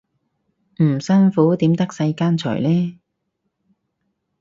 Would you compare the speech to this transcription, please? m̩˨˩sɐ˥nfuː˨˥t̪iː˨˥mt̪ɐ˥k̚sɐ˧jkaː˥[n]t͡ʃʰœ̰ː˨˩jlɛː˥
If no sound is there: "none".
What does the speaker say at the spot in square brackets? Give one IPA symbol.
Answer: n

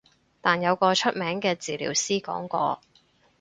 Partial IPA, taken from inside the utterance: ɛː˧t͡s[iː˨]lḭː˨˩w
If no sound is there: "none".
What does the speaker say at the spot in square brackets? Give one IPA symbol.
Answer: iː˨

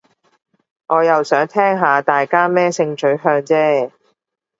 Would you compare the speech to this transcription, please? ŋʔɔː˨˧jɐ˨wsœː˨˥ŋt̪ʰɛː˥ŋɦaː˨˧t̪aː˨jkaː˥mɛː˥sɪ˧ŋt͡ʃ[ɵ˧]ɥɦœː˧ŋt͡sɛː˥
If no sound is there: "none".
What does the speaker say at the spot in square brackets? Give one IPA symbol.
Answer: ɵ˨˥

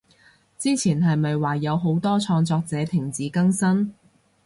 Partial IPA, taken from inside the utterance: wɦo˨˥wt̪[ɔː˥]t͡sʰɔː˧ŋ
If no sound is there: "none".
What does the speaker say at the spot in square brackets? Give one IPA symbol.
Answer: ɔː˥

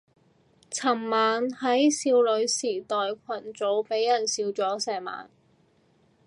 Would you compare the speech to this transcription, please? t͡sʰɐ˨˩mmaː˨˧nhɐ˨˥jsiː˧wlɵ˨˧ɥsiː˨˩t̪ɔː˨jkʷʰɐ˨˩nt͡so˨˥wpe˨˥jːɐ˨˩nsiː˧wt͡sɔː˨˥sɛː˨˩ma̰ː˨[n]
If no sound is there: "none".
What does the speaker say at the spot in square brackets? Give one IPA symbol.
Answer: n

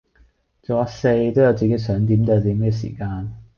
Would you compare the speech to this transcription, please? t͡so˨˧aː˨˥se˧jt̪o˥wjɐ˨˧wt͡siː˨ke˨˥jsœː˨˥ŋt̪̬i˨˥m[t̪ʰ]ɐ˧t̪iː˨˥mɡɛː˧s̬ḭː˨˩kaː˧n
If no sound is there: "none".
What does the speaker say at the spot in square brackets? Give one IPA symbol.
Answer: t̪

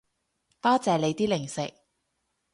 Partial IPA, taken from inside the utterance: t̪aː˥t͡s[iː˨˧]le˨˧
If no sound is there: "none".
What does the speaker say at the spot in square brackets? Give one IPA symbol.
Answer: ɛː˨˧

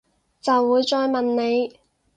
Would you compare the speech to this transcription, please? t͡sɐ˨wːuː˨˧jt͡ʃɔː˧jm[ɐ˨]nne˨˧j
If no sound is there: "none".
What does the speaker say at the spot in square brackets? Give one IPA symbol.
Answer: ɐ˨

